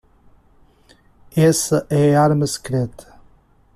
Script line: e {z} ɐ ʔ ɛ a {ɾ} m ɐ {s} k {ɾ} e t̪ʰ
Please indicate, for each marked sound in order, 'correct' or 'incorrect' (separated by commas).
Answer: incorrect, correct, correct, correct